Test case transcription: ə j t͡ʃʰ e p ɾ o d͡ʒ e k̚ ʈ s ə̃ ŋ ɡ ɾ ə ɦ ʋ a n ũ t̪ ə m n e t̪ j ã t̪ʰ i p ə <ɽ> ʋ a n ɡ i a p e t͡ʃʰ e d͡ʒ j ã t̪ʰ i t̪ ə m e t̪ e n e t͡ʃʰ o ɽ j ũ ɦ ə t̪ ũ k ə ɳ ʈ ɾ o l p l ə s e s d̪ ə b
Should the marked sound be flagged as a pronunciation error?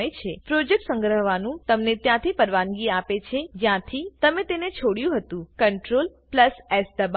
yes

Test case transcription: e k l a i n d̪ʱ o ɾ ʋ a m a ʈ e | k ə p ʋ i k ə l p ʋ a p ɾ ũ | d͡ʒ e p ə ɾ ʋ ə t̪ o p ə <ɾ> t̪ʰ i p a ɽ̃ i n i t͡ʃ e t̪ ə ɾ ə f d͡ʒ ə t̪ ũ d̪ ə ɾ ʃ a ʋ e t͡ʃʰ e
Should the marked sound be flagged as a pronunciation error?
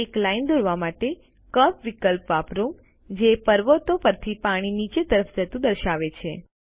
no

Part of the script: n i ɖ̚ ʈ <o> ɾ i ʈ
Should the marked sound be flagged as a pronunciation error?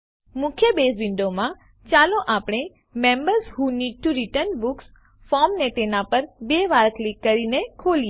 yes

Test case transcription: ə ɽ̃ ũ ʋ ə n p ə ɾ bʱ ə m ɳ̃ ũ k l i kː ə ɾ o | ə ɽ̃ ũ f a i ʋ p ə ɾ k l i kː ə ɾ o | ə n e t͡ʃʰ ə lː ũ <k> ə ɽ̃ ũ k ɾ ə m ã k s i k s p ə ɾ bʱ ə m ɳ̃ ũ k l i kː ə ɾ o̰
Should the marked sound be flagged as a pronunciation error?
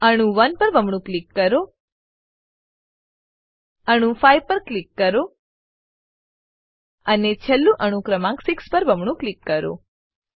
yes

